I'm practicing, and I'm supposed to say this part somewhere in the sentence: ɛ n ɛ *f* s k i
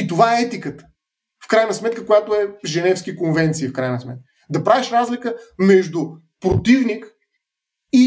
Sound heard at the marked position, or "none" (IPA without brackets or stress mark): f